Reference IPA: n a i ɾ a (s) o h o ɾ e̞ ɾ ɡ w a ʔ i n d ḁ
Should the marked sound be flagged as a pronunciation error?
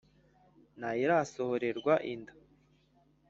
no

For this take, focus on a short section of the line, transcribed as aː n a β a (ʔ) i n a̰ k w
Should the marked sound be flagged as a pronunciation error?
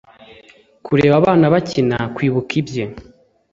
yes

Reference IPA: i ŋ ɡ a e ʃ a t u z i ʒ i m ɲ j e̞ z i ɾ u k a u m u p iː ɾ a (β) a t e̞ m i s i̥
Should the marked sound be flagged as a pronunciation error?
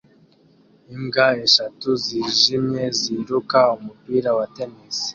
yes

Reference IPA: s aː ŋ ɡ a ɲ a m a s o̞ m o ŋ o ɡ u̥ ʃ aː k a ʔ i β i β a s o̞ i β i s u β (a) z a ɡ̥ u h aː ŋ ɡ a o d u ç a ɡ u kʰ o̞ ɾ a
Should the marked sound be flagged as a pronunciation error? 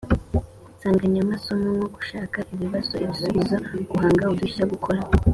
yes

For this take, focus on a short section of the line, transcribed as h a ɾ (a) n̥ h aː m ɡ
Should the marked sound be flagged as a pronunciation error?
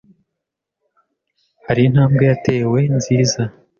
yes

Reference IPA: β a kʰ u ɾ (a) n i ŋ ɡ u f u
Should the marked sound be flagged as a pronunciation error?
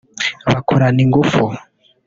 no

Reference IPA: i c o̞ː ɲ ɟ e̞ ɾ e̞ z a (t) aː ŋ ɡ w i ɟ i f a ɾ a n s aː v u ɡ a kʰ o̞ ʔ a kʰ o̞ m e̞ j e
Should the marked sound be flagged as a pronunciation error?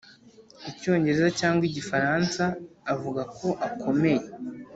yes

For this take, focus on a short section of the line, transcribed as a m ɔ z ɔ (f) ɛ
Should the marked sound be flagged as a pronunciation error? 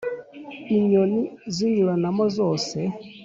yes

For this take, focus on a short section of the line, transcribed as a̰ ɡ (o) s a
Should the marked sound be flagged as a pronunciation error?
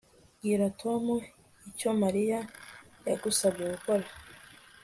yes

